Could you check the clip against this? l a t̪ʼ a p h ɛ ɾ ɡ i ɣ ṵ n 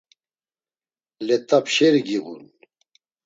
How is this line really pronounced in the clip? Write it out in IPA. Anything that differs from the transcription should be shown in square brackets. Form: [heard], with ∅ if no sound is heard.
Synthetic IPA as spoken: l [ɛ] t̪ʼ a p [ʃ] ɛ ɾ ɡ i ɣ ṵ n